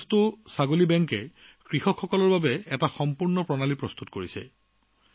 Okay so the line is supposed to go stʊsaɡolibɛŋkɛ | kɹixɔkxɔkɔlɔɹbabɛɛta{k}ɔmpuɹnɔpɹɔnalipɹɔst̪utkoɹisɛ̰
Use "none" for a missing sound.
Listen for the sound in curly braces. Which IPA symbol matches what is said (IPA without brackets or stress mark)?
x